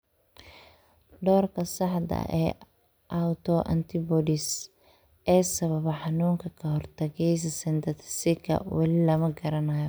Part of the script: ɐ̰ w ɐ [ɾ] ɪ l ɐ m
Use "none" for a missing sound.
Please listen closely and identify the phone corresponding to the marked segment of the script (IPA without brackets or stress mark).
l